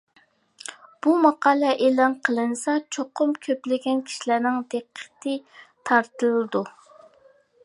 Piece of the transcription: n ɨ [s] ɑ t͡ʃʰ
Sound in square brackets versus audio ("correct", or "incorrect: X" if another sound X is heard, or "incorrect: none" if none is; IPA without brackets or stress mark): correct